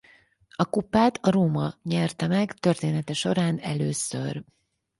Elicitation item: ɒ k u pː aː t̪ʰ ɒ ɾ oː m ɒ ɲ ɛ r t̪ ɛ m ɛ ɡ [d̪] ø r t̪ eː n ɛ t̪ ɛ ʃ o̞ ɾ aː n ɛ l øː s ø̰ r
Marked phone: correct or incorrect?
incorrect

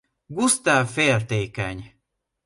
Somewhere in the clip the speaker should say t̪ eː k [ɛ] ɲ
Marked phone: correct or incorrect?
correct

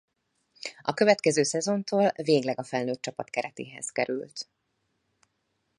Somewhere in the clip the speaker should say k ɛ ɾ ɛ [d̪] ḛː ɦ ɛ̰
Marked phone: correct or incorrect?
incorrect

